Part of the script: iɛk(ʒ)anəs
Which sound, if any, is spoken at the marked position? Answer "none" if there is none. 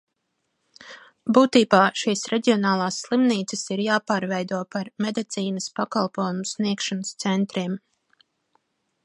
ʃ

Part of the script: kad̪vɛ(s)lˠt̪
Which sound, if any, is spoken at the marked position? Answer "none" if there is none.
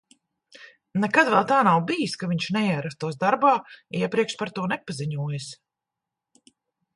none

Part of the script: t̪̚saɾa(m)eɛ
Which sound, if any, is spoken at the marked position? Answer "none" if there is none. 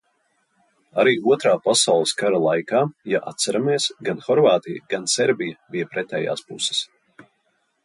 m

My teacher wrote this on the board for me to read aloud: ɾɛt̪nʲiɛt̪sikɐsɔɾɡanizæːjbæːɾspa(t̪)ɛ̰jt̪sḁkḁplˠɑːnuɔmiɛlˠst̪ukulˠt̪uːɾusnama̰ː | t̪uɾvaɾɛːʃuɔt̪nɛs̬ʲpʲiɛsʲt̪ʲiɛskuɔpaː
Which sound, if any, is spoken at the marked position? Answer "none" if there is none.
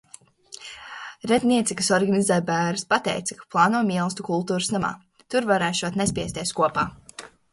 t̪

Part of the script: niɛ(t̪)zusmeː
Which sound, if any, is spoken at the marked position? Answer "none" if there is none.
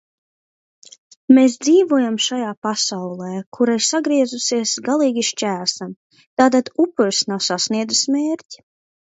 d̪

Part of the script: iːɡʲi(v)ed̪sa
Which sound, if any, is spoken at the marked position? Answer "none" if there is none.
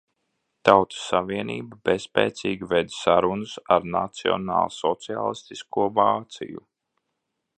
v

